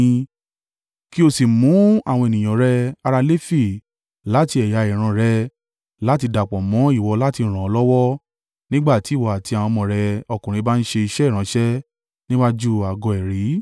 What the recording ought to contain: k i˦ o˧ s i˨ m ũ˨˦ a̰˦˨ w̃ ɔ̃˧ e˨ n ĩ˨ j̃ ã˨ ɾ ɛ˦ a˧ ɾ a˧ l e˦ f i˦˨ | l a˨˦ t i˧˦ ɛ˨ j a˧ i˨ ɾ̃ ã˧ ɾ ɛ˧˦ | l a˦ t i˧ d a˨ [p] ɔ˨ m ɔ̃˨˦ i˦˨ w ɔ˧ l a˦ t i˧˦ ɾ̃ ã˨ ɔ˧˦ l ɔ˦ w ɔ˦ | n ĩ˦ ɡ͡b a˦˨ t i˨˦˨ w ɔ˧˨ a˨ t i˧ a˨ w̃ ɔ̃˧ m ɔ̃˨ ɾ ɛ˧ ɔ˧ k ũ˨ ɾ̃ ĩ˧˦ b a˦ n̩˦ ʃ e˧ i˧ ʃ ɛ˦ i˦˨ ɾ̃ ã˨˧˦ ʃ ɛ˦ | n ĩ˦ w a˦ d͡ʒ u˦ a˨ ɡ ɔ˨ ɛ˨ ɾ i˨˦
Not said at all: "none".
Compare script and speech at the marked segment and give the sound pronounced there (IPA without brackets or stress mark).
k͡p